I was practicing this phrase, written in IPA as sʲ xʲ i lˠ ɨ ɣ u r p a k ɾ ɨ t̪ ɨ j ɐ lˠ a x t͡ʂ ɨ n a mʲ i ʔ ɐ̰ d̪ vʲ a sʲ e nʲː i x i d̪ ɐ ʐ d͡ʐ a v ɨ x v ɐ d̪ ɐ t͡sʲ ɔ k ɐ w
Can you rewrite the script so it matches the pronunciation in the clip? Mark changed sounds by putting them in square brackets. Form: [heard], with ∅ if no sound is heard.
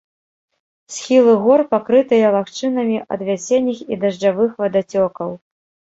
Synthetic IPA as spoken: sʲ xʲ i lˠ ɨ ɣ [ɔ] r p a k ɾ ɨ t̪ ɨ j ɐ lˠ a x t͡ʂ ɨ n [ɐ] mʲ i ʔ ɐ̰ d̪ vʲ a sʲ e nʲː i x i d̪ ɐ ʐ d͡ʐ a v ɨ x v ɐ d̪ [a] t͡sʲ ɔ k ɐ w

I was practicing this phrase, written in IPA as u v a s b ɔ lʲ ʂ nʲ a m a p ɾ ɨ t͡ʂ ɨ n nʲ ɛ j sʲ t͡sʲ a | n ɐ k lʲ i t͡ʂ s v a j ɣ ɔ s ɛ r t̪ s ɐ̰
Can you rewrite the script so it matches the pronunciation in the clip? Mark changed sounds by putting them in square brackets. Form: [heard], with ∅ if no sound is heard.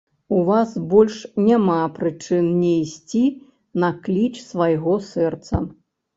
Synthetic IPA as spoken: u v a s b ɔ lʲ ʂ nʲ a m a p ɾ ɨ t͡ʂ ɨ n nʲ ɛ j sʲ t͡sʲ [i] | n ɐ k lʲ i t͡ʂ s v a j ɣ ɔ s ɛ r t̪ s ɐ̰

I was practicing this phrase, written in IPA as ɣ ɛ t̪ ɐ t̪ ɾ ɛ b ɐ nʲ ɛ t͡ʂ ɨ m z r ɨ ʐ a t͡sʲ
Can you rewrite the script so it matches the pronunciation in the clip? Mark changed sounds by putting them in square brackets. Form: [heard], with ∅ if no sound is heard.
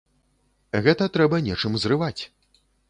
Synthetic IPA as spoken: ɣ ɛ t̪ ɐ t̪ ɾ ɛ b ɐ nʲ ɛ t͡ʂ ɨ m z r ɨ [v] a t͡sʲ

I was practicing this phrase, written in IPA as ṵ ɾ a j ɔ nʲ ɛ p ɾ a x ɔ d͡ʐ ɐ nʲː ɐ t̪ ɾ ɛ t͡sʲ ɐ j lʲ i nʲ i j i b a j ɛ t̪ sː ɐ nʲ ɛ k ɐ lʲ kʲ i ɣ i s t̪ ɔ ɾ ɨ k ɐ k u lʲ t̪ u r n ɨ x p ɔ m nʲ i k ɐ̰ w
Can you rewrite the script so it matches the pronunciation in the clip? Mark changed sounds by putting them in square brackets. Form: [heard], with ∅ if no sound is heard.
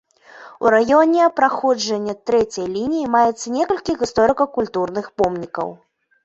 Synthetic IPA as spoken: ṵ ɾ a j ɔ nʲ ɛ p ɾ a x ɔ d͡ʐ ɐ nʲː ɐ t̪ ɾ ɛ t͡sʲ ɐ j lʲ i nʲ i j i [m] a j ɛ t̪ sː ɐ nʲ ɛ k ɐ lʲ kʲ i ɣ i s t̪ ɔ ɾ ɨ k ɐ k u lʲ t̪ u r n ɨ x p ɔ m nʲ i k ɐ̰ w

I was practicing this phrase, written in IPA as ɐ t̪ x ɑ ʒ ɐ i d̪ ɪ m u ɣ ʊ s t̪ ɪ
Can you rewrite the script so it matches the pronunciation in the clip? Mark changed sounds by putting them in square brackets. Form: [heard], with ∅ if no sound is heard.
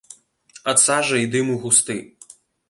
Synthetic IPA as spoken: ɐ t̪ [s] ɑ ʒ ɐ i d̪ ɪ m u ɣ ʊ s t̪ ɪ

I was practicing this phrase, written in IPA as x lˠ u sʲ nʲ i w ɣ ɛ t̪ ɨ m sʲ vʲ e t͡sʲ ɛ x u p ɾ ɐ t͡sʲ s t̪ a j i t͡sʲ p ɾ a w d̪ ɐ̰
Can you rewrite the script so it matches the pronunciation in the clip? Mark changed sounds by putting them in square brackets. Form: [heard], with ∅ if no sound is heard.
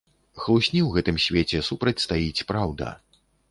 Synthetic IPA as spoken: x lˠ u sʲ nʲ i w ɣ ɛ t̪ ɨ m sʲ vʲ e t͡sʲ ɛ [s] u p ɾ ɐ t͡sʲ s t̪ a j i t͡sʲ p ɾ a w d̪ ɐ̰

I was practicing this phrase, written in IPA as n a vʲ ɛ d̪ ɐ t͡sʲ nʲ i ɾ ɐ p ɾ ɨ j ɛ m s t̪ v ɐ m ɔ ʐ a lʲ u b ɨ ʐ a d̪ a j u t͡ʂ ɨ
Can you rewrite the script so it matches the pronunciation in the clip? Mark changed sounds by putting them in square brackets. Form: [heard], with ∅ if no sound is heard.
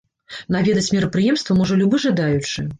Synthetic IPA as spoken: n a vʲ ɛ d̪ ɐ t͡sʲ [mʲ] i ɾ ɐ p ɾ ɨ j ɛ m s t̪ v ɐ m ɔ ʐ [ɐ] lʲ u b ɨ ʐ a d̪ a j u t͡ʂ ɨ

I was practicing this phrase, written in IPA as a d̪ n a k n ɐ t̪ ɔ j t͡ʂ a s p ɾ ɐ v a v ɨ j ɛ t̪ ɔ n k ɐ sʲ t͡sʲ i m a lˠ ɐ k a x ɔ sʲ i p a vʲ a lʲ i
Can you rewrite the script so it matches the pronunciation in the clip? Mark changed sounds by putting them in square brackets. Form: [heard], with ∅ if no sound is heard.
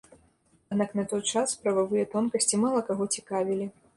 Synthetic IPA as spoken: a d̪ n a k n ɐ t̪ ɔ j t͡ʂ a s p ɾ ɐ v a v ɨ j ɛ t̪ ɔ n k ɐ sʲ t͡sʲ i m a lˠ ɐ k a [ɣ] ɔ [t͡sʲ] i [k] a vʲ [i] lʲ i

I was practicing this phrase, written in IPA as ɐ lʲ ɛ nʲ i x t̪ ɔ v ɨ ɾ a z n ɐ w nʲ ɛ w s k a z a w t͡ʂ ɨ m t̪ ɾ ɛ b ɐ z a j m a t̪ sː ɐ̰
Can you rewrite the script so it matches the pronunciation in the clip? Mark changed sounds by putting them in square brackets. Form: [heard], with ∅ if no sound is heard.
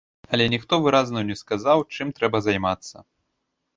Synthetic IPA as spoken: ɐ lʲ ɛ nʲ i x t̪ ɔ v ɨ ɾ a z n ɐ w nʲ ɛ [∅] s k a z a w t͡ʂ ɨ m t̪ ɾ ɛ b ɐ z a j m a t̪ sː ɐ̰

